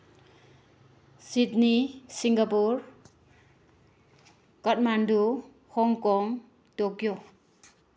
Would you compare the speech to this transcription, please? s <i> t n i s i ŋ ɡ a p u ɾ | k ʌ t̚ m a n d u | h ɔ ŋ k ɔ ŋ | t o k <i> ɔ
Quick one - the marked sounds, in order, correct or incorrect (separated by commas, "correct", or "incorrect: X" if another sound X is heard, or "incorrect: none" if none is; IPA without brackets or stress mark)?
correct, incorrect: j